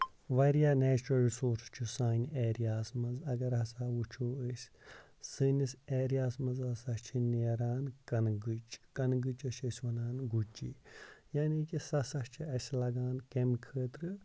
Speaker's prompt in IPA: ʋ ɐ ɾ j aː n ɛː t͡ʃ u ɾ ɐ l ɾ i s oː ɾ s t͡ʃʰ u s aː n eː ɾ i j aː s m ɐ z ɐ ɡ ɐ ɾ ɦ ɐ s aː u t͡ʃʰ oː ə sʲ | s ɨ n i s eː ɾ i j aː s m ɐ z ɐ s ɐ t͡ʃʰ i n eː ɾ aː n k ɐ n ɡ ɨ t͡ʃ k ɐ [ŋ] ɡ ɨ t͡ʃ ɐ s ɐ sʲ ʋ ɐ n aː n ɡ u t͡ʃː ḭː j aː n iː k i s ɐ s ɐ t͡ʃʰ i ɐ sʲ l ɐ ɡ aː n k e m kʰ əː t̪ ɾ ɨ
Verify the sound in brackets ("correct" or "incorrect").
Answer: incorrect